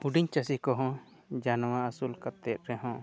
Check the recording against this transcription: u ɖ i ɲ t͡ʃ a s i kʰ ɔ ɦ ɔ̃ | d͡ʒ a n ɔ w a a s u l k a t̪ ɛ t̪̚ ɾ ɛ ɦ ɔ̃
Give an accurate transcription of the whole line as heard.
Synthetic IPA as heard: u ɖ i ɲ t͡ʃ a s i k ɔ ɦ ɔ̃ | d͡ʒ a n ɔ w a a s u l k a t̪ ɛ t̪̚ ɾ ɛ ɦ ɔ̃